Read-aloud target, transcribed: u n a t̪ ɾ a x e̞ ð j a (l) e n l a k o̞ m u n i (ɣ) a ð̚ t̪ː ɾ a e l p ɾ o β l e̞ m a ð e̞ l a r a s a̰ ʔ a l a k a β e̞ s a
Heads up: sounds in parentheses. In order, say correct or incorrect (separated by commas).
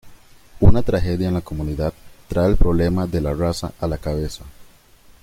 incorrect, incorrect